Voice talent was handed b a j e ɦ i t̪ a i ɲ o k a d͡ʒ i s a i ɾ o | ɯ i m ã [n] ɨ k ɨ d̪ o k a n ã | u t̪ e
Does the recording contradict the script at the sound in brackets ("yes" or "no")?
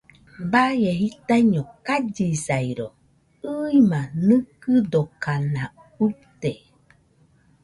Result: no